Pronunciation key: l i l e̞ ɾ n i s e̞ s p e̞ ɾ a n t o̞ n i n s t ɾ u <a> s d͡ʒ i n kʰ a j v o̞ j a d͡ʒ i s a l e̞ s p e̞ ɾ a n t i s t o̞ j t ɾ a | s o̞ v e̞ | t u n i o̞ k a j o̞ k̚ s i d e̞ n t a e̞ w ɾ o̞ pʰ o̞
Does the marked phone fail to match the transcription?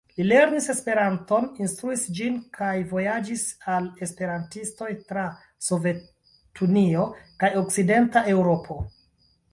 yes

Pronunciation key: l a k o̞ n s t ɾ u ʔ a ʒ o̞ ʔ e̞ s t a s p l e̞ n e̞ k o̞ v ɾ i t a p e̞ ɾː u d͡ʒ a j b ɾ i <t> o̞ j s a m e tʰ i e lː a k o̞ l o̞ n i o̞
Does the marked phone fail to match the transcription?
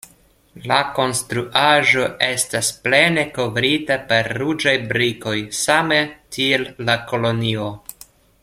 yes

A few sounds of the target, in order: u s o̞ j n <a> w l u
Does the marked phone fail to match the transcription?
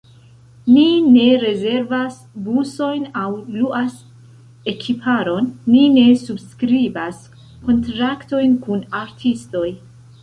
no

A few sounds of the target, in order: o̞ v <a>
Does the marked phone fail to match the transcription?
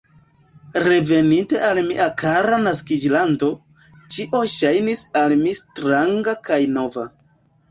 no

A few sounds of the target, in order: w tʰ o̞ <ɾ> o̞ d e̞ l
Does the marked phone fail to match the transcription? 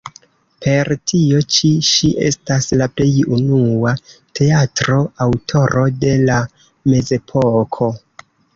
no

